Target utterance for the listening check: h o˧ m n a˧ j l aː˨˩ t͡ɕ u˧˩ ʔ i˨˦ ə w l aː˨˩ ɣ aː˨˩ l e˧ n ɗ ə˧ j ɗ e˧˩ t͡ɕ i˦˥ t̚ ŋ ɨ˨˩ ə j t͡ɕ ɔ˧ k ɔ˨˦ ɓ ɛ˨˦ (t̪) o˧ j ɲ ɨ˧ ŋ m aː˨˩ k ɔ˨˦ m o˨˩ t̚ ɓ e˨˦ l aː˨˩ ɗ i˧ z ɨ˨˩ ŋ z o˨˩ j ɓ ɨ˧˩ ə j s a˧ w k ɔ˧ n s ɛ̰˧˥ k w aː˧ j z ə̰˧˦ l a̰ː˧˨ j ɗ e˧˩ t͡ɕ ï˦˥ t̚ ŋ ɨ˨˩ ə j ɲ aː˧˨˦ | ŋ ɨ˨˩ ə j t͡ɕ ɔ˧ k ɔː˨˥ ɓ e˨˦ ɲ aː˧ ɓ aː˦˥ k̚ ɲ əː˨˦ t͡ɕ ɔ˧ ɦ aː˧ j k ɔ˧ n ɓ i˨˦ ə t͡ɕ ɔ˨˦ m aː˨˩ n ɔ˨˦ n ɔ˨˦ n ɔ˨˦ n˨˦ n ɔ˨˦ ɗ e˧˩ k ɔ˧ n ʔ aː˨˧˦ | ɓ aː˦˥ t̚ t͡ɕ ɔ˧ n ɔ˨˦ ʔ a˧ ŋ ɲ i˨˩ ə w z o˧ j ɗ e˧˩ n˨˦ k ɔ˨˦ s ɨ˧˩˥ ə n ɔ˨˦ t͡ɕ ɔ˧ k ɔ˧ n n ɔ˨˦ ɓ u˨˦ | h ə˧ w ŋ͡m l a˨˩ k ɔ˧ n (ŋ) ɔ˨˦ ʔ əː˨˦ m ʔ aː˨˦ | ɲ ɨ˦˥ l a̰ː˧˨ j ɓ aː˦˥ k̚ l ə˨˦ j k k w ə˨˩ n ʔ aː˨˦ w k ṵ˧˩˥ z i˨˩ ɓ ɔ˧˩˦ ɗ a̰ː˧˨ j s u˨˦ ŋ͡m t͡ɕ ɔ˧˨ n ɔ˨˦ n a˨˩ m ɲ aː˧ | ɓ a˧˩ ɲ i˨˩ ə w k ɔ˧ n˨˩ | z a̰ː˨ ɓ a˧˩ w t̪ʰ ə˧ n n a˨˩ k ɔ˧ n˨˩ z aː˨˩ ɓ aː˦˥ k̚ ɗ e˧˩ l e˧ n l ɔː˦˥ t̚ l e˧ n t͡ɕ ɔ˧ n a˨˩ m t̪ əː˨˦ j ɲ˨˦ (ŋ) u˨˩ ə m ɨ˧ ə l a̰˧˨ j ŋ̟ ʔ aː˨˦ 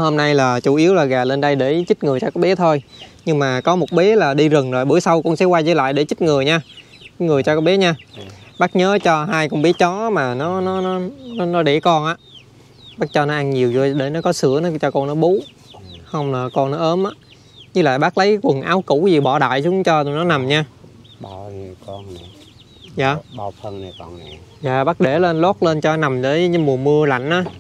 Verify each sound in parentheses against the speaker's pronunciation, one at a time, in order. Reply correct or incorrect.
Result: incorrect: t̪ʰ, incorrect: n, incorrect: m

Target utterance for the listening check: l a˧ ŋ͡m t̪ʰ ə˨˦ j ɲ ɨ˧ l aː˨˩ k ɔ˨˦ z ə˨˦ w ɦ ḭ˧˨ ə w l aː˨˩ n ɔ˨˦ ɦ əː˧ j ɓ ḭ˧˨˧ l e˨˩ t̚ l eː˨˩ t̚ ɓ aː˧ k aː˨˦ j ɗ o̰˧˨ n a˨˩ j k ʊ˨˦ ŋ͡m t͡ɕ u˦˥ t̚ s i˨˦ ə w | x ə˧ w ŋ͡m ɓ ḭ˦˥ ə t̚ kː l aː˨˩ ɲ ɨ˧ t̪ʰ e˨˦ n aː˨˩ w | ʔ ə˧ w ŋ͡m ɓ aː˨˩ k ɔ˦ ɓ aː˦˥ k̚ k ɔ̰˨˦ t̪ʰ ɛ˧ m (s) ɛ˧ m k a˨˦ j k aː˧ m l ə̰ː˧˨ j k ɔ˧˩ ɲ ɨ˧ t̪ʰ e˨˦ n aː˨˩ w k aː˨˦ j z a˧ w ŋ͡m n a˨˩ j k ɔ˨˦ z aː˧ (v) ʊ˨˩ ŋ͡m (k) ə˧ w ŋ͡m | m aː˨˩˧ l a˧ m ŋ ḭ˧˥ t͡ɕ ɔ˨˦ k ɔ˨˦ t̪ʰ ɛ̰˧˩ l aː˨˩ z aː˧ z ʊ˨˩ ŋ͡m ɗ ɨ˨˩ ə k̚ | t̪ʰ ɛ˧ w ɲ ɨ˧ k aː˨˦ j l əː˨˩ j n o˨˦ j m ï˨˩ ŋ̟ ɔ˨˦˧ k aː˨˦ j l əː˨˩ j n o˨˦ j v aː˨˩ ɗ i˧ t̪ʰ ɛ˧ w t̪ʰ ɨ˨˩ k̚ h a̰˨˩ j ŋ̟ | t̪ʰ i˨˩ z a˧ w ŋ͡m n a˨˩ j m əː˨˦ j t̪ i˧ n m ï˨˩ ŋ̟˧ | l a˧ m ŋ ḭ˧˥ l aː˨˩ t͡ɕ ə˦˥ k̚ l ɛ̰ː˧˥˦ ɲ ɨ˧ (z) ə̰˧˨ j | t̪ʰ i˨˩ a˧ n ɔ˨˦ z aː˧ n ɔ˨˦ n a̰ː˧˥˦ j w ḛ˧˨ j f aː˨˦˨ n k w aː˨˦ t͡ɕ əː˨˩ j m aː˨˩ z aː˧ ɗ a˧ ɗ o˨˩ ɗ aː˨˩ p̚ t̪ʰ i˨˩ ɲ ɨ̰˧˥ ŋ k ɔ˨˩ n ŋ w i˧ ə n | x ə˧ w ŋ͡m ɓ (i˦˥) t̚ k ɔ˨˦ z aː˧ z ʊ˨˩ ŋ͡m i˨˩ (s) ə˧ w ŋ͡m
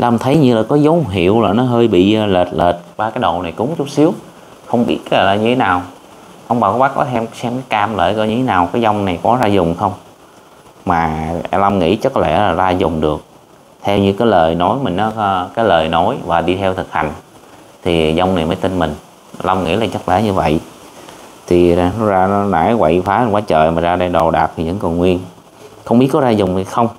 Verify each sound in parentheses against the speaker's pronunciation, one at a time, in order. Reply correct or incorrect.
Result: correct, incorrect: z, incorrect: x, incorrect: v, correct, incorrect: x

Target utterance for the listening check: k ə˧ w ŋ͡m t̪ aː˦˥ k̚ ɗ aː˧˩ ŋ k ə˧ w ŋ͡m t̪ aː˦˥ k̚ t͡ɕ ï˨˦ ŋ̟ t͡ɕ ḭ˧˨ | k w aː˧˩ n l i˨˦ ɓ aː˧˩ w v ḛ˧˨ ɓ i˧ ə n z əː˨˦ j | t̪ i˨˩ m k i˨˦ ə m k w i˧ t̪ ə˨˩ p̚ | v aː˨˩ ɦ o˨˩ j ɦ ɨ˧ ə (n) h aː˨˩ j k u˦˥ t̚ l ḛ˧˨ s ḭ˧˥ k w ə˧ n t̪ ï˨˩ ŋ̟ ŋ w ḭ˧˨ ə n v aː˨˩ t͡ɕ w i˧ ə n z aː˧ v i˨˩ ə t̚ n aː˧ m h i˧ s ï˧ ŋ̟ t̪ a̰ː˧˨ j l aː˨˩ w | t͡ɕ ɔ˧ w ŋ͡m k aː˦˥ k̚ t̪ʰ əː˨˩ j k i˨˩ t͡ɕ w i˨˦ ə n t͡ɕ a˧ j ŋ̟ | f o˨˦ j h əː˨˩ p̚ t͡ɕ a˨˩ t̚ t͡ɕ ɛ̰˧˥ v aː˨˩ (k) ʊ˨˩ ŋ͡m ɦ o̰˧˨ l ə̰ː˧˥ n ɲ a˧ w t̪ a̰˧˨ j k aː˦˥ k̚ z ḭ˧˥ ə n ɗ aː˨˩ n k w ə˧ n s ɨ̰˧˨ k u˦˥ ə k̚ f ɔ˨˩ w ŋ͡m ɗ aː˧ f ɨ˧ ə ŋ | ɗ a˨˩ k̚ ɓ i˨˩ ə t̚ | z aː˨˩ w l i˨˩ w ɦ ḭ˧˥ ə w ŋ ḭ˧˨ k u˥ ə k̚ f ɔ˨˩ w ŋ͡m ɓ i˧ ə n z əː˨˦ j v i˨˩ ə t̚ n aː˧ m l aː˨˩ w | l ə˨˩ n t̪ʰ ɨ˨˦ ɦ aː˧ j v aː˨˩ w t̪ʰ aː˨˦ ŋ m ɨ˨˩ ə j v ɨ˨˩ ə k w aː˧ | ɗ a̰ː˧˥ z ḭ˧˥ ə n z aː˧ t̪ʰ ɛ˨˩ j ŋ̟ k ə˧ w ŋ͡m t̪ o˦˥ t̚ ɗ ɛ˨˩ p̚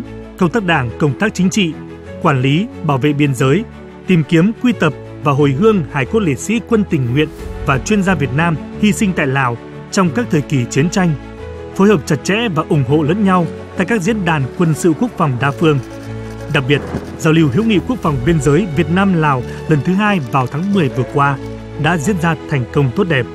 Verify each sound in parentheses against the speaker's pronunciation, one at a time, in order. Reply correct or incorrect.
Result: incorrect: ŋ, incorrect: ʔ

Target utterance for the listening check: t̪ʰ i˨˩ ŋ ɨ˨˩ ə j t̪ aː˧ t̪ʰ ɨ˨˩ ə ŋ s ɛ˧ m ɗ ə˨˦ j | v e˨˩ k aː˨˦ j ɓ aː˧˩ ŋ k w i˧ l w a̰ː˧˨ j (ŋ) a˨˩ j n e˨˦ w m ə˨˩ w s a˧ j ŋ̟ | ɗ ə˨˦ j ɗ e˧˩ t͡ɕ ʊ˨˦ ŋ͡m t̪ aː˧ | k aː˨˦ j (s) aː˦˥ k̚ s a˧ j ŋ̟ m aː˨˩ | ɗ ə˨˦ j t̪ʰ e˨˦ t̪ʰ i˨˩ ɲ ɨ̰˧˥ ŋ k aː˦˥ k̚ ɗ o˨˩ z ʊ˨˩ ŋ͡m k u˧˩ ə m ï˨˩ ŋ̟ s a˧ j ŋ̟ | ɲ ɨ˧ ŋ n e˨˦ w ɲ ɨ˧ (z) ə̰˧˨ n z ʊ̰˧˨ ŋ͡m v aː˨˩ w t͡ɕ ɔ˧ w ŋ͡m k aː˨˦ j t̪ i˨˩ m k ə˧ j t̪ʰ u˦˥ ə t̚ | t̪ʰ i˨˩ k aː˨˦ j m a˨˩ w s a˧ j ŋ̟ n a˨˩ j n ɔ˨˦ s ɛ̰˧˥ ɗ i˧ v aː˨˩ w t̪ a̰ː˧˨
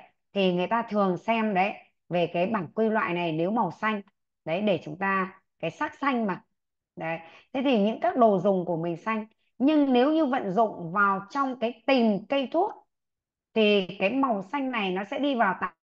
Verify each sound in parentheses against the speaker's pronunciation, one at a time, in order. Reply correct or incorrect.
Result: incorrect: n, correct, incorrect: v

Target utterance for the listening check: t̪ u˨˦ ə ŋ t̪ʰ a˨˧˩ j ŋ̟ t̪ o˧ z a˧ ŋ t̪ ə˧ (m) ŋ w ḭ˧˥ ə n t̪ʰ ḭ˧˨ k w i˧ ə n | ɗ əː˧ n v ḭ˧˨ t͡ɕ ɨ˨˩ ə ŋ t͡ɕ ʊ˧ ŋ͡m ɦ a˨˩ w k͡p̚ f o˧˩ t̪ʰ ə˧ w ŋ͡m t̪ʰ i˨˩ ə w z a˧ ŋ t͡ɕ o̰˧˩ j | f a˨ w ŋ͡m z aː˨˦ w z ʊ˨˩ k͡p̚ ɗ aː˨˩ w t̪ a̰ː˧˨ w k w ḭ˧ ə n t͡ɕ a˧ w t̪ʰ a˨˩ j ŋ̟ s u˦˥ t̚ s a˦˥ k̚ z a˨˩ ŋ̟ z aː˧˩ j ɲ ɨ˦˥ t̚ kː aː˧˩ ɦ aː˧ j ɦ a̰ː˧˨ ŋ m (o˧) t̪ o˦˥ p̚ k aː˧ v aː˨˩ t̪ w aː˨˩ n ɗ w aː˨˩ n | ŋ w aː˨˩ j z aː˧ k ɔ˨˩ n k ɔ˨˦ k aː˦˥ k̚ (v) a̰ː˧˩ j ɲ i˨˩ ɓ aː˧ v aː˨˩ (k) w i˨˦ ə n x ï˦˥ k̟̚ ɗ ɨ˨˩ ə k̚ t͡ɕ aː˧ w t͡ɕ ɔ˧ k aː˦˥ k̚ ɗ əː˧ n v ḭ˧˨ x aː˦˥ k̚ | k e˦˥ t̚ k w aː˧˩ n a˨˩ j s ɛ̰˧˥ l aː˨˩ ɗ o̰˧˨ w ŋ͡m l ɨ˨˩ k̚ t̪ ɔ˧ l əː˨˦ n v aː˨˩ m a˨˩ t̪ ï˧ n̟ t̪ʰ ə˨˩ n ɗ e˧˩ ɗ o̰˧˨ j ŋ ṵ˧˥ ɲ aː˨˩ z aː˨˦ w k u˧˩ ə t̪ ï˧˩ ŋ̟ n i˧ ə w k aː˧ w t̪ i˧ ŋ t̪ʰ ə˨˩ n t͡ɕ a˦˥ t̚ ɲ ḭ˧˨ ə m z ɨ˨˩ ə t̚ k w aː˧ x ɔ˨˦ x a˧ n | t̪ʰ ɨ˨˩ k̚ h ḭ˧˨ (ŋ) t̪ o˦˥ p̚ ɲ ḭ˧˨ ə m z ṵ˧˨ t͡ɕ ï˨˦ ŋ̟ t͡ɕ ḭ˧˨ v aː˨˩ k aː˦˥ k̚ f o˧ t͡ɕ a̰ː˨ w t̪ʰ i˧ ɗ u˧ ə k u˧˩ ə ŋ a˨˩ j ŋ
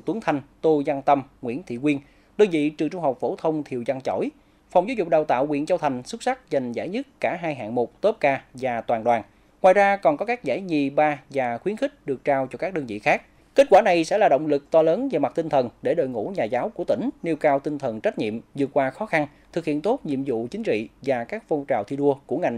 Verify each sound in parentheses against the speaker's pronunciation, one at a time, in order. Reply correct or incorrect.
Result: correct, incorrect: o˨˩, incorrect: z, incorrect: x, incorrect: n

